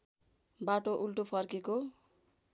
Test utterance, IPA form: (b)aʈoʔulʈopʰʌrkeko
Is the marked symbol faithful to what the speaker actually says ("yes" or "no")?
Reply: yes